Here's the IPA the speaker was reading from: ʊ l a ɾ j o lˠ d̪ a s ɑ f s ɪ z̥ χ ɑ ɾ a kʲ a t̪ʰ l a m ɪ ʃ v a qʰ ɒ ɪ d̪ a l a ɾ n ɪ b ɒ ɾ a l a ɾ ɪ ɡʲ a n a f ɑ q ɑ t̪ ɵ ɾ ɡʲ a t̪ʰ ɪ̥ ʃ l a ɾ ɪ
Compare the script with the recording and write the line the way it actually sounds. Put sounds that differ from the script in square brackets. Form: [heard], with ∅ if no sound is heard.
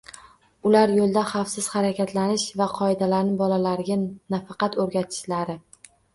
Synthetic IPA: ʊ l a ɾ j o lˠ d̪ a [χ] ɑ f s ɪ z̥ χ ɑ ɾ a kʲ a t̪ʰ l a [n] ɪ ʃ v a qʰ ɒ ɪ d̪ a l a ɾ n ɪ b ɒ [l] a l a ɾ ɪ ɡʲ a n a f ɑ q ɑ t̪ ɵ ɾ ɡʲ a t̪ʰ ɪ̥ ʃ l a ɾ ɪ